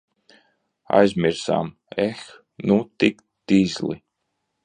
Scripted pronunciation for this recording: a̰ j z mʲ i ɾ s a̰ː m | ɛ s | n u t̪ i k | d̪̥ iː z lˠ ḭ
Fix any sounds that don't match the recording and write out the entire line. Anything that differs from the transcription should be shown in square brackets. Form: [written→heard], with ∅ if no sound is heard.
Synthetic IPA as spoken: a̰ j z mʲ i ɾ s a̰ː m | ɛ [s→x] | n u t̪ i k | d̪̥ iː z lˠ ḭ